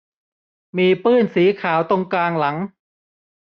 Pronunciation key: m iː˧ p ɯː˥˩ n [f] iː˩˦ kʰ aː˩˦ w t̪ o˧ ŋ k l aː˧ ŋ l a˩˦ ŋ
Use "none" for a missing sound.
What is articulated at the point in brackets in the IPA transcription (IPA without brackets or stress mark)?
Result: s